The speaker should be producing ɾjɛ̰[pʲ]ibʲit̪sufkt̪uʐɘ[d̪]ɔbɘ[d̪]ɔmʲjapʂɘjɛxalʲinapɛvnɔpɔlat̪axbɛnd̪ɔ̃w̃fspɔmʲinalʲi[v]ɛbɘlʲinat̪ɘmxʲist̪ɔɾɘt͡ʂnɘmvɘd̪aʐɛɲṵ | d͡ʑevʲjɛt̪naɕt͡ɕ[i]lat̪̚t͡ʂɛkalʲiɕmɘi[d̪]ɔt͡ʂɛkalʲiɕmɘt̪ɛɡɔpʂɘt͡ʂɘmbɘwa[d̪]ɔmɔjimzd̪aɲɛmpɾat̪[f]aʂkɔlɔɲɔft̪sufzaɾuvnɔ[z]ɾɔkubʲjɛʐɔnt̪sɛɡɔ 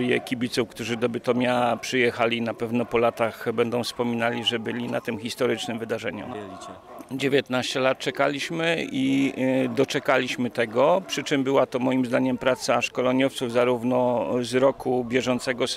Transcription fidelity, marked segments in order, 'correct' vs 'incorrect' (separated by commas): incorrect, correct, incorrect, incorrect, incorrect, correct, incorrect, incorrect, correct